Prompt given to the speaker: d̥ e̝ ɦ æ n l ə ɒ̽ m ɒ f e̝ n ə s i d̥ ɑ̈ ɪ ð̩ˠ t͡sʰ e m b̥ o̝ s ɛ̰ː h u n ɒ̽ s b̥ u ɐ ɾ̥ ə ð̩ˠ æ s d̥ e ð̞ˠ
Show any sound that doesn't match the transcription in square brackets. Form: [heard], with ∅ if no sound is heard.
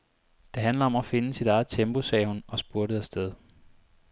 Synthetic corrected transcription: d̥ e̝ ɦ æ n l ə ɒ̽ m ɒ f e̝ n ə s i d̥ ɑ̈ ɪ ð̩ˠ t͡sʰ e m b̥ o̝ s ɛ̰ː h u n ɒ̽ s b̥ u ɐ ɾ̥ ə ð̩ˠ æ s d̥ e ð̞ˠ